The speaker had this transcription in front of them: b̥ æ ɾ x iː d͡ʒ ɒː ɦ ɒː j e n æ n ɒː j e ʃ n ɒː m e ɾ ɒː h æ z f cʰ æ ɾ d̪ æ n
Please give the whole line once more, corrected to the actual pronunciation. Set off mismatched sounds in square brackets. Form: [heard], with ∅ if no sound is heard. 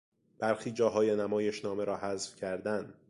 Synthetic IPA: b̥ æ ɾ x iː d͡ʒ ɒː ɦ ɒː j e n æ [m] ɒː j e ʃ n ɒː m e ɾ ɒː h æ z f cʰ æ ɾ d̪ æ n